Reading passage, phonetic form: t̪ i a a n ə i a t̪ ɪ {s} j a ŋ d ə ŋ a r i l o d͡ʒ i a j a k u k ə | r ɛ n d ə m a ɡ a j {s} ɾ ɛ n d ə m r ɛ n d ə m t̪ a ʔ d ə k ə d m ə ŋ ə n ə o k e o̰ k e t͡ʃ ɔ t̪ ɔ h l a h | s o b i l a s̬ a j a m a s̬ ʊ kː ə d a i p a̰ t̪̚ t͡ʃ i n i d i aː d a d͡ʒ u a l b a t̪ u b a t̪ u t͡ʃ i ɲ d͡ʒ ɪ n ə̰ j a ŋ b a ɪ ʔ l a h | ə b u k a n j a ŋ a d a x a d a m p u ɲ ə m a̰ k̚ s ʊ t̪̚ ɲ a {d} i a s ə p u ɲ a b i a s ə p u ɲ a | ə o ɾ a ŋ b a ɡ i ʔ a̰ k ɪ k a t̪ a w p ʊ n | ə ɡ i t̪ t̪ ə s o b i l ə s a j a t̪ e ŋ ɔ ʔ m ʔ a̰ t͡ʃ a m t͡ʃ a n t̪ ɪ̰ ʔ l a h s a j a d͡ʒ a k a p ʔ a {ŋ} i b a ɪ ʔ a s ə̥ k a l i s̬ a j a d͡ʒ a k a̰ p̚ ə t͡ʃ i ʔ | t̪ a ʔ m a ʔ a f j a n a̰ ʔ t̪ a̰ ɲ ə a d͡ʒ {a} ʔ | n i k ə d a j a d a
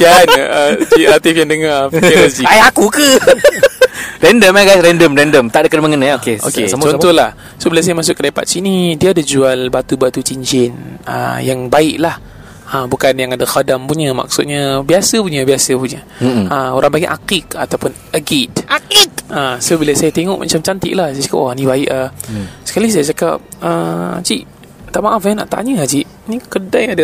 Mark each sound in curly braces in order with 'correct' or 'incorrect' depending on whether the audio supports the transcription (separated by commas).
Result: incorrect, correct, incorrect, incorrect, incorrect